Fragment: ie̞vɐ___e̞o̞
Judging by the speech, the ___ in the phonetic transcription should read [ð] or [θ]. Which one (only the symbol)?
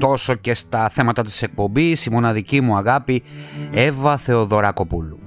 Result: θ